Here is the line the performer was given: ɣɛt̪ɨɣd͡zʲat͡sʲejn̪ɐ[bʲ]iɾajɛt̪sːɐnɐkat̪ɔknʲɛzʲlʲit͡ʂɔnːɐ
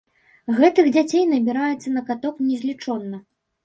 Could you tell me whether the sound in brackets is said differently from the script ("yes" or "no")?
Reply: no